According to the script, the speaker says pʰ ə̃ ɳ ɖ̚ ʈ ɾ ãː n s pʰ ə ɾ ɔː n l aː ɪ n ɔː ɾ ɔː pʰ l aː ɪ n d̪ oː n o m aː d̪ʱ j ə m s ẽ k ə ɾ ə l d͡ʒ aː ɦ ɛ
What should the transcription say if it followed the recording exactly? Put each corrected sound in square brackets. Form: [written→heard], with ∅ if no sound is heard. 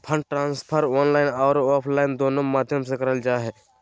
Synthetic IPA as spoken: pʰ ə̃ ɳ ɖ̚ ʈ ɾ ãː n s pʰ ə ɾ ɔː n l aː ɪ n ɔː ɾ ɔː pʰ l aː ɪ n d̪ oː n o m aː d̪ʱ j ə m s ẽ k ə ɾ ə l d͡ʒ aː ɦ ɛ